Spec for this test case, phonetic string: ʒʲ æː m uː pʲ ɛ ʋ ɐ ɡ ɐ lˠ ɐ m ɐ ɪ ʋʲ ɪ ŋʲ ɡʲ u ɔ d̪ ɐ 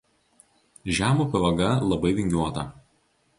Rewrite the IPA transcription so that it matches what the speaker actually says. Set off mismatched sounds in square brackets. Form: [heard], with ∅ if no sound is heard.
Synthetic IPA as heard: ʒʲ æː m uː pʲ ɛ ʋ ɐ ɡ ɐ lˠ ɐ [b] ɐ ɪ ʋʲ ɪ ŋʲ ɡʲ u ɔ [t̪] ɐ